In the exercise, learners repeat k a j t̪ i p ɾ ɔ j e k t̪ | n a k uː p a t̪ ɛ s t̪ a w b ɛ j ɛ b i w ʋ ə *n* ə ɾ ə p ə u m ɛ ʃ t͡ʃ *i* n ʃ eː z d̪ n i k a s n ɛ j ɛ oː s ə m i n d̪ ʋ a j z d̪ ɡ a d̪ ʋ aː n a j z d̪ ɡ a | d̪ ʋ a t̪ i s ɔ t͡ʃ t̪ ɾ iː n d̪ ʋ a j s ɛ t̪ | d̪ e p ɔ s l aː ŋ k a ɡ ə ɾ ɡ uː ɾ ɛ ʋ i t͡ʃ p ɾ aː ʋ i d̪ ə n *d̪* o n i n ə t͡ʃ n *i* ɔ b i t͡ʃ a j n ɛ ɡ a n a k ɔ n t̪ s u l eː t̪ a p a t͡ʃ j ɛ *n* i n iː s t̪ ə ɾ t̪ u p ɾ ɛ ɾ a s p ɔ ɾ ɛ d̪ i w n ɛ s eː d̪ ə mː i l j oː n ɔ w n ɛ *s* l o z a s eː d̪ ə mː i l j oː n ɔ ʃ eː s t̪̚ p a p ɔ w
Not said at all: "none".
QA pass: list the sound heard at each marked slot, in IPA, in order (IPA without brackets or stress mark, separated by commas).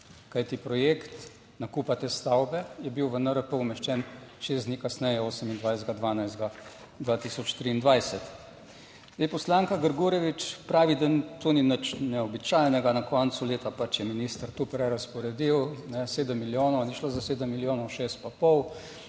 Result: n, ɛ, t̪, ɛ, m, ʃ